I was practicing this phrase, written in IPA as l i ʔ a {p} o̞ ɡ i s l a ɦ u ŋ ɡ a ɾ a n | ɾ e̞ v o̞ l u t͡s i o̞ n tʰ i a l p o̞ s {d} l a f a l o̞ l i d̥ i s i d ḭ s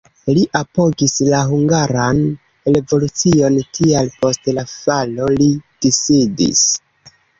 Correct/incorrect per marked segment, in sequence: correct, incorrect

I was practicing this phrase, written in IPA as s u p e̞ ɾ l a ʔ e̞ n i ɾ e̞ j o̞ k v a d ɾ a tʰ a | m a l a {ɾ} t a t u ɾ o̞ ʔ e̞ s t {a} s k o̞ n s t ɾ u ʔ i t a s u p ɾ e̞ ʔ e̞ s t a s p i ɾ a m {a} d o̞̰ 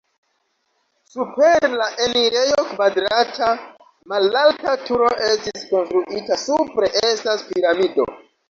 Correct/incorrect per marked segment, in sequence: incorrect, incorrect, incorrect

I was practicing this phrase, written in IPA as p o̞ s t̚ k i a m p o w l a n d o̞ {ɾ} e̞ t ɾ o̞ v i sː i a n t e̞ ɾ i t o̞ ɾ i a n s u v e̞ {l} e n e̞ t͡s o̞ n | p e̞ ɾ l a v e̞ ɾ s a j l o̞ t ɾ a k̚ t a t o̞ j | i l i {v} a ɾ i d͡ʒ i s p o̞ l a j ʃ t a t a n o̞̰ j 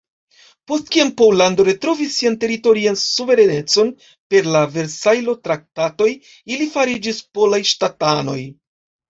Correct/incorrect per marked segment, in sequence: correct, incorrect, incorrect

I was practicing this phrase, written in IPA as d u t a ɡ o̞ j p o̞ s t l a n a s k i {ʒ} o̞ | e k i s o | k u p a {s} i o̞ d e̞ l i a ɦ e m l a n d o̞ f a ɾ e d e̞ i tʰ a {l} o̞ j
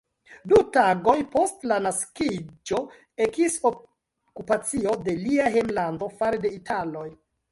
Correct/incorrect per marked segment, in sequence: incorrect, incorrect, correct

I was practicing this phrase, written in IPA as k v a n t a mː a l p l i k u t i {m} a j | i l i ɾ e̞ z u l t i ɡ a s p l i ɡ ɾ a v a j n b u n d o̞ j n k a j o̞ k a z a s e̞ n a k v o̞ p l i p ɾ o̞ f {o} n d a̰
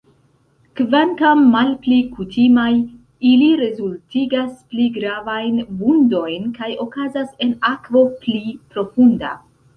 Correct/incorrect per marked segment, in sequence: correct, incorrect

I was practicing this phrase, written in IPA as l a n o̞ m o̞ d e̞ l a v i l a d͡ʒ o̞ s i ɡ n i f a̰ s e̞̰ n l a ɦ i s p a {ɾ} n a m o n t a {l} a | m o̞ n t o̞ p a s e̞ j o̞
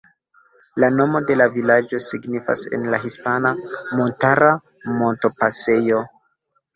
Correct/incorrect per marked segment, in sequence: incorrect, incorrect

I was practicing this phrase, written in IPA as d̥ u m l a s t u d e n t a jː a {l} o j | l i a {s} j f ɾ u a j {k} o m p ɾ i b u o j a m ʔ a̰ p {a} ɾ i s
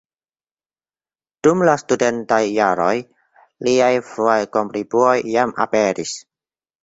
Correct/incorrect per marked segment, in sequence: incorrect, incorrect, correct, incorrect

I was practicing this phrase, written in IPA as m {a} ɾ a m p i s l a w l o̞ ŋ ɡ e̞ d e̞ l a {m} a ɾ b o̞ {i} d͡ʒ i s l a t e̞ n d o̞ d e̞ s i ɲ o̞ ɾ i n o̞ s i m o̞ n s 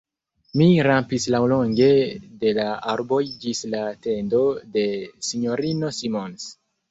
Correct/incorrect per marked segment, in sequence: incorrect, incorrect, incorrect

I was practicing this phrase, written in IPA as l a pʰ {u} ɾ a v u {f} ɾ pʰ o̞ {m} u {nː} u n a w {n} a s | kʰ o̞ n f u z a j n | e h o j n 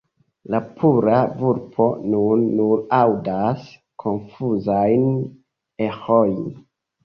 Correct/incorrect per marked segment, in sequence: correct, incorrect, incorrect, correct, incorrect

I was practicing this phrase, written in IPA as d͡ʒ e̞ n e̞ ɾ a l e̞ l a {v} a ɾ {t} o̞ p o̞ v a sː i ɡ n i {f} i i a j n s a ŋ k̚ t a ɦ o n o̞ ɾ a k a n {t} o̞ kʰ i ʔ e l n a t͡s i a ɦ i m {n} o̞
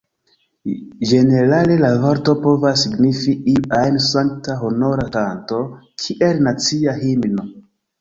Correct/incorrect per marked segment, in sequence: correct, correct, correct, correct, correct

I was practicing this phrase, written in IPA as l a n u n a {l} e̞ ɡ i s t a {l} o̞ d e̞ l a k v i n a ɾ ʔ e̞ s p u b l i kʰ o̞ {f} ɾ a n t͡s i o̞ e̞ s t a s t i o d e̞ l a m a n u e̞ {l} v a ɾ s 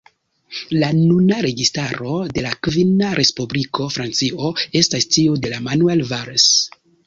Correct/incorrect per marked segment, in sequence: incorrect, incorrect, correct, correct

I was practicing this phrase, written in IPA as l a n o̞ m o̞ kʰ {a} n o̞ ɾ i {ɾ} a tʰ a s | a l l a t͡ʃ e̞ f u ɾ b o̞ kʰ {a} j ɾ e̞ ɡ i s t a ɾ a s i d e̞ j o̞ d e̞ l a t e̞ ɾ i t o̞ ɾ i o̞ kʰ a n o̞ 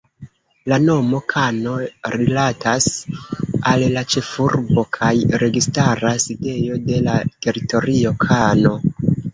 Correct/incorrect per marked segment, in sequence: correct, incorrect, correct

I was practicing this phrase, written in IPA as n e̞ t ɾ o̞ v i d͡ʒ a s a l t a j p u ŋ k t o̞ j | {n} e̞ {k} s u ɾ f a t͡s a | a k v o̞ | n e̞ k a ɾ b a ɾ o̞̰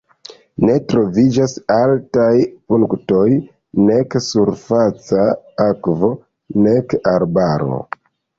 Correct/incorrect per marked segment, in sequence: correct, correct

